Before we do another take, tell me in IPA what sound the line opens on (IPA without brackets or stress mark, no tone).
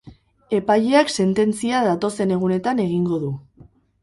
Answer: e̞